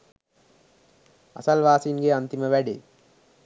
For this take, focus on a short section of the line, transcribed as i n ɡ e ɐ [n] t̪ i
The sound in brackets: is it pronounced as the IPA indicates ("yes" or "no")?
yes